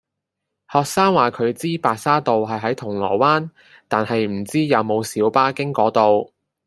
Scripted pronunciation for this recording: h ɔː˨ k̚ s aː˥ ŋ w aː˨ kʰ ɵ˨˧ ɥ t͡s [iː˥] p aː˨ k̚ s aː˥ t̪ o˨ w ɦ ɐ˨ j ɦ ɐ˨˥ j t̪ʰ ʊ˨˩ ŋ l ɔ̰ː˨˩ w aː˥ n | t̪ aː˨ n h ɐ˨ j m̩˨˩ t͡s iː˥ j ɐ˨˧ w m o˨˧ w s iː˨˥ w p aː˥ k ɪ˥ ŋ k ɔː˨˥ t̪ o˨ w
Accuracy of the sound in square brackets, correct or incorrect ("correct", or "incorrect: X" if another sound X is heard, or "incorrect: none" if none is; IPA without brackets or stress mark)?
correct